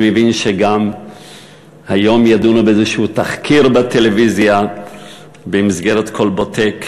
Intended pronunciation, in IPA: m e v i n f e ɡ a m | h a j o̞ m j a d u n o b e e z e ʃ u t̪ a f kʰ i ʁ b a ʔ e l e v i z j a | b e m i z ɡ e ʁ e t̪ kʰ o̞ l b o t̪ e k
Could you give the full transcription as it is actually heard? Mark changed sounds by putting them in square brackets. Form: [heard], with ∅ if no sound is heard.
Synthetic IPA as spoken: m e v i n [ʃ] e ɡ a m | h a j o̞ m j a d u n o b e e z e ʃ u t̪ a [χ] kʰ i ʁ b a [t] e l e v i z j a | b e m i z ɡ e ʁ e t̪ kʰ o̞ l b o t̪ e k

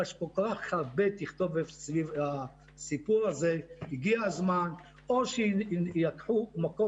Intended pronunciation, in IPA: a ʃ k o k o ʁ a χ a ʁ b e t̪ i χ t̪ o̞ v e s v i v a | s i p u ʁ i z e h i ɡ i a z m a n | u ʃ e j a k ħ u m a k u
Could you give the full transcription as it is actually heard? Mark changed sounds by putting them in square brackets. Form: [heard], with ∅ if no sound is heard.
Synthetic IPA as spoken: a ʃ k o k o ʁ a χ a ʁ b e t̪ i χ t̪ o̞ v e s v i v a | s i p u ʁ [a] z e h i ɡ i a z m a n | [o] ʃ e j a k ħ u m a k [o]

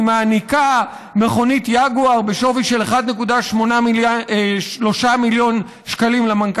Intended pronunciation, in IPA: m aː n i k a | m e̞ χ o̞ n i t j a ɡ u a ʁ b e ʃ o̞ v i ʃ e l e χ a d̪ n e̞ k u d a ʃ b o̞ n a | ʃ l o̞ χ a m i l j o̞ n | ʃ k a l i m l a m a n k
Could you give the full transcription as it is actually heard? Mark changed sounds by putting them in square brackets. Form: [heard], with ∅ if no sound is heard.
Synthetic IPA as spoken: m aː n i k a | m e̞ χ o̞ n i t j a ɡ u a ʁ b e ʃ o̞ v i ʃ e l e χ a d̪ n e̞ k u d a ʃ [m] o̞ n a | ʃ l o̞ [ʃ] a m i l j o̞ n | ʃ k a l i m l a m a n k

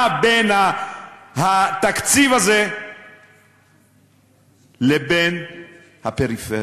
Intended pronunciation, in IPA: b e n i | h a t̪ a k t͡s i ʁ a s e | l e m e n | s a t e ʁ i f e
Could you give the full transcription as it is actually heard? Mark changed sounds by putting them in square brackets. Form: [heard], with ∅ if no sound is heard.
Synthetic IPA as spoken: b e n [a] | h a t̪ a k t͡s i [v] a [z] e | l e [b] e n | [h] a [p] e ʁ i f e

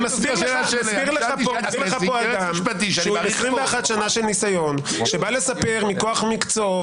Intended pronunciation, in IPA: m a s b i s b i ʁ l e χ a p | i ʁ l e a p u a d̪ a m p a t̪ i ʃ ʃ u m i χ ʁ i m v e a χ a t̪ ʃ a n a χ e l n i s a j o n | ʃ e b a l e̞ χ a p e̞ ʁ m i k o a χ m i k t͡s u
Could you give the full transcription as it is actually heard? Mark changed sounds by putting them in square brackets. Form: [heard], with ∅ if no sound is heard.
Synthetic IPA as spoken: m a s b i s b i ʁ l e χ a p | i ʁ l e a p [o] a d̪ a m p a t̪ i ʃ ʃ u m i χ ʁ i m v e a χ a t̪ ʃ a n a [ʃ] e l n i s a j o n | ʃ e b a l e̞ [s] a p e̞ ʁ m i k o a χ m i k t͡s [o]

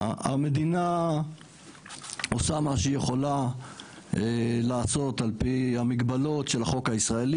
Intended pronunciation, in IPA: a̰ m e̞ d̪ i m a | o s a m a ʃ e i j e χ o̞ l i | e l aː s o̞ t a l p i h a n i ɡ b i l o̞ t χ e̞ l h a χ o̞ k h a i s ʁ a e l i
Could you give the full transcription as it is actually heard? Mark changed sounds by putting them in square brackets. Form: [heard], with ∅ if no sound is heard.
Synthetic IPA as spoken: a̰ m e̞ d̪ i [n] a | o s a m a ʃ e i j e χ o̞ l [a] | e l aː s o̞ t a l p i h a [m] i ɡ b [a] l o̞ t [ʃ] e̞ l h a χ o̞ k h a i s ʁ a e l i

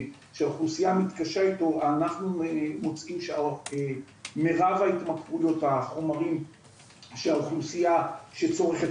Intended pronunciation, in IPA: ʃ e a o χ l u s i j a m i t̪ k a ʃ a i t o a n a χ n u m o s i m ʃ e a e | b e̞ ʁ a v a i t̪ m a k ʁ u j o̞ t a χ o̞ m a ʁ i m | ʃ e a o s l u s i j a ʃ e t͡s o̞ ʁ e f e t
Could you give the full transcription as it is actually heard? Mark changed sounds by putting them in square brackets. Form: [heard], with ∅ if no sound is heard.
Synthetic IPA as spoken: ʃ e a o χ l u s i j a m i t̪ k a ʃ a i t o a n a χ n u m o [t͡s] i m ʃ e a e | [m] e̞ ʁ a v a i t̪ m a k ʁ u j o̞ t a χ o̞ m a ʁ i m | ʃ e a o [χ] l u s i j a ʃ e t͡s o̞ ʁ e [χ] e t

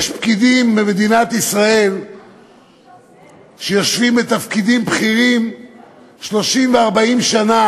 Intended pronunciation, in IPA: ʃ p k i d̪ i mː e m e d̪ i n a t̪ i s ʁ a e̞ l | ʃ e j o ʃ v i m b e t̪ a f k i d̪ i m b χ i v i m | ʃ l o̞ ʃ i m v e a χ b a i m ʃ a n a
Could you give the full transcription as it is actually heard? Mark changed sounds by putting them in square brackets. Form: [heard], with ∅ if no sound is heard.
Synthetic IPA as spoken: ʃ p k i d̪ i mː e m e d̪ i n a t̪ i s ʁ a e̞ l | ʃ e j o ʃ v i m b e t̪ a f k i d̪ i m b χ i [ʁ] i m | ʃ l o̞ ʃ i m v e a [ʁ] b a i m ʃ a n a

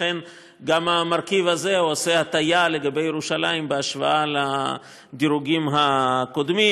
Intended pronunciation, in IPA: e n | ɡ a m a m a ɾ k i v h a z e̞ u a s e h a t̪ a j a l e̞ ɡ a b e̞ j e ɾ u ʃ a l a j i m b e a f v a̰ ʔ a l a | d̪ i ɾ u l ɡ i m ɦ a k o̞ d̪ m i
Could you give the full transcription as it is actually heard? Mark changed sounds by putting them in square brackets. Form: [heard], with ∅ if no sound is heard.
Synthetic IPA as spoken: e n | ɡ a m a m a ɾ k i v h a z e̞ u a s e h a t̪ a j a l e̞ ɡ a b e̞ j e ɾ u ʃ a l a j i m b e a [ʃ] v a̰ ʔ a l a | d̪ i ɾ u [∅] ɡ i m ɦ a k o̞ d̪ m i

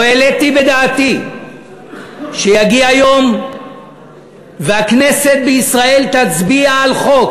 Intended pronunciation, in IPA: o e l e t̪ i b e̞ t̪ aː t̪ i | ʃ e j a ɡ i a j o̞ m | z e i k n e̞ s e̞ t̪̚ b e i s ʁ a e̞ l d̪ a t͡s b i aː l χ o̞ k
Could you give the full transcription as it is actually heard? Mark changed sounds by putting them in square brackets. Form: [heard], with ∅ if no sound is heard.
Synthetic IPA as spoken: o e l e t̪ i b e̞ [d̪] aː t̪ i | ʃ e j a ɡ i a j o̞ m | [v] e [a] k n e̞ s e̞ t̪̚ b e i s ʁ a e̞ l [t̪] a t͡s b i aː l χ o̞ k

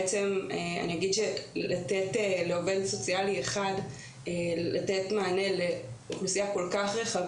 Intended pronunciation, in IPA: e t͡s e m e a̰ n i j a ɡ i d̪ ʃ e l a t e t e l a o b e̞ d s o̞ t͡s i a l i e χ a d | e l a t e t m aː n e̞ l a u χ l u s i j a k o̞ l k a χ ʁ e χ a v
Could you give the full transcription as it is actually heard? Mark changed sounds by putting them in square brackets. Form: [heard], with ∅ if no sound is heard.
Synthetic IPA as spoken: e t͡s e m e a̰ n i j a ɡ i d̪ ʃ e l a t e t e l [e] o [v] e̞ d s o̞ t͡s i a l i e χ a d | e l a t e t m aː n e̞ l [e] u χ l u s i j a k o̞ l k a χ ʁ e χ a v

